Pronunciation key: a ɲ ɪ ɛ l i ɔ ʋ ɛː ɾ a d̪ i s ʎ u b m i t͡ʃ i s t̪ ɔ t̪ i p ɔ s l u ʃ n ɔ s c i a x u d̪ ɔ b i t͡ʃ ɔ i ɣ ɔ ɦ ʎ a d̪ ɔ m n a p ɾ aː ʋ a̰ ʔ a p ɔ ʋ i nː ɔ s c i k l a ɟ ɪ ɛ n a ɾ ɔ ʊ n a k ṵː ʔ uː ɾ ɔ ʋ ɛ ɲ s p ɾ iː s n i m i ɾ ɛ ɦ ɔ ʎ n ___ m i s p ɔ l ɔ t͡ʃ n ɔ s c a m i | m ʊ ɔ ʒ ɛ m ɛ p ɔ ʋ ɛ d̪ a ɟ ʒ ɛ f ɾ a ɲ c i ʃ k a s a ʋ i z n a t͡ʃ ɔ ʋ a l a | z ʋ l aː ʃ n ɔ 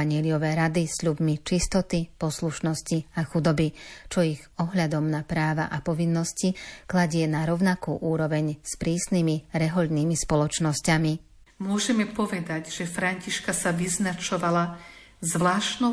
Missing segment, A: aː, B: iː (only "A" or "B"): B